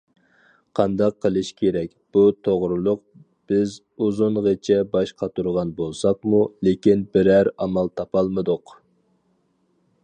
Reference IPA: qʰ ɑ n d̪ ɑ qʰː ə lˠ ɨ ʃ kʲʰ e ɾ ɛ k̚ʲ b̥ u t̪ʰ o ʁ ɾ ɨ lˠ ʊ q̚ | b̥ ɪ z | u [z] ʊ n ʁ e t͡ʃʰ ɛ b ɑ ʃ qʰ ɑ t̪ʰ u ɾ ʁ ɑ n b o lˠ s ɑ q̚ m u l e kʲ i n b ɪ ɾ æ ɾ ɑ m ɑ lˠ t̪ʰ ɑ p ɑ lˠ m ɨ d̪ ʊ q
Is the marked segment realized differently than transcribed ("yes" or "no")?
no